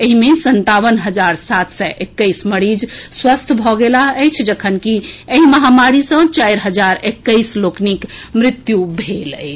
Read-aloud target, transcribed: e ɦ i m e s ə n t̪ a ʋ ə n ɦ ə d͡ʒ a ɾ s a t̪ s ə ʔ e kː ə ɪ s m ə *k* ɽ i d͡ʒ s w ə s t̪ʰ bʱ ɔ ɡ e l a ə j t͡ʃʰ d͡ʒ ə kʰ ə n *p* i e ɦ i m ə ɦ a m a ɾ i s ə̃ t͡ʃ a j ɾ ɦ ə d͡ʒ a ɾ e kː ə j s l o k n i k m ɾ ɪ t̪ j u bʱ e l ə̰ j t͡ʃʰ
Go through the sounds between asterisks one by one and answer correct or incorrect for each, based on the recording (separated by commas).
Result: incorrect, incorrect